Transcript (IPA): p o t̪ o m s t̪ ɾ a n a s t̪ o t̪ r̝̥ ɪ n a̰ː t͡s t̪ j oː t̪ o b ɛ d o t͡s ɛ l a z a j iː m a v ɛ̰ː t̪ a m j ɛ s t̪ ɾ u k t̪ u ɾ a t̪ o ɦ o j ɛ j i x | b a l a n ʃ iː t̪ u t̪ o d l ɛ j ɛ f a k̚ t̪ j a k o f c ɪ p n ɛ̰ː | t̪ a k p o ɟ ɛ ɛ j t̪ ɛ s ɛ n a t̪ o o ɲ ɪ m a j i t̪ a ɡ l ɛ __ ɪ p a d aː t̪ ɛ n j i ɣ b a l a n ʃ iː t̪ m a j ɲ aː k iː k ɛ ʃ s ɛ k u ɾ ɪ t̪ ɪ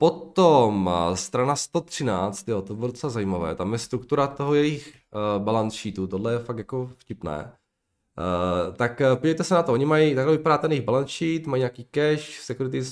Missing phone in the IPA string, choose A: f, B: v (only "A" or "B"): B